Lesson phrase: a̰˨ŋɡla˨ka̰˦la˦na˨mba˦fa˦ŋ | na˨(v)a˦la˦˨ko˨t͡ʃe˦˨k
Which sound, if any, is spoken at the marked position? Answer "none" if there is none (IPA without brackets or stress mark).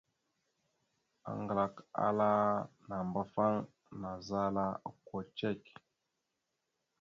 z